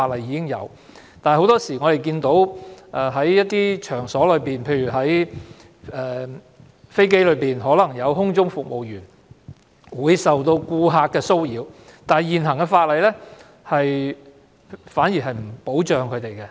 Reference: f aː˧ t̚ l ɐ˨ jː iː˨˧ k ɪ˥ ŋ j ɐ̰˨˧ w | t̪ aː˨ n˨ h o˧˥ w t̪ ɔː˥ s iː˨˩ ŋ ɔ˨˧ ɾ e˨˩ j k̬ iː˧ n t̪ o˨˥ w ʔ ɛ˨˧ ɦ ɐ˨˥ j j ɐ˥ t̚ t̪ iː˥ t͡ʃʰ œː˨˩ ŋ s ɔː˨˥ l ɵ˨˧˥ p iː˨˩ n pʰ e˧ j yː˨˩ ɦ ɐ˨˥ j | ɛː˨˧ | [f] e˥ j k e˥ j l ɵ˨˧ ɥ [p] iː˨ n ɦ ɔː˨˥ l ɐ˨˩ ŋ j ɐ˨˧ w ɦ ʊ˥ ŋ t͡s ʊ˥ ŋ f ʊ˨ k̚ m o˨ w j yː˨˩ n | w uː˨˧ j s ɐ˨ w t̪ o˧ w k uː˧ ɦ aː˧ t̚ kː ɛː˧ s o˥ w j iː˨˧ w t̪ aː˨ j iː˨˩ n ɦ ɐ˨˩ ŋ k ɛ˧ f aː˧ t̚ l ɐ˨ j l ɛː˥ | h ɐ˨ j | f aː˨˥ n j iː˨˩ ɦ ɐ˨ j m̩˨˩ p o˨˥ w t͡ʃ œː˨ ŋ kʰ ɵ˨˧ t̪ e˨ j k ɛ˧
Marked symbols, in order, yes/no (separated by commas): yes, yes